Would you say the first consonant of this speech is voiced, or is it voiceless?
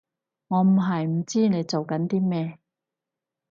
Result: voiced